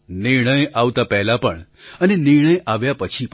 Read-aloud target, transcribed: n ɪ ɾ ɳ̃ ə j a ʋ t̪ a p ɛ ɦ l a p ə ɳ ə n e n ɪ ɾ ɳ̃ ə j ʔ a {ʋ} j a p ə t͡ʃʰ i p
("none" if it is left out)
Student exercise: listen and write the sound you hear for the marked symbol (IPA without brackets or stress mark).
ʋ